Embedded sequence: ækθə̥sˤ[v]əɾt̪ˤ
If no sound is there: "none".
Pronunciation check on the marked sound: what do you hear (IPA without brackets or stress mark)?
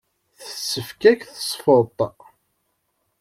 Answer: f